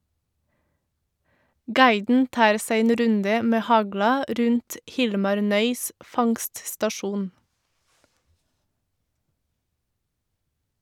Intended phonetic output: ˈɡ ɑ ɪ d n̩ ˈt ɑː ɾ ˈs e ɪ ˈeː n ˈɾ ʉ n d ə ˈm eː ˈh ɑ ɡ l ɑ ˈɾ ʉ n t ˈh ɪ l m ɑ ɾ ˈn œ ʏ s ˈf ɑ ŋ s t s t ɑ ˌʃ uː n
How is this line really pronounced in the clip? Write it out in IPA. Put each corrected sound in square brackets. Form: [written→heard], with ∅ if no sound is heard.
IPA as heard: ˈɡ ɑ ɪ d n̩ ˈt ɑː ɾ ˈs [e→æ] ɪ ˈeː n ˈɾ ʉ n d ə ˈm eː ˈh ɑ ɡ l ɑ ˈɾ ʉ n t ˈh ɪ l m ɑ ɾ ˈn œ ʏ s ˈf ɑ ŋ s t s t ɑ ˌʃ uː n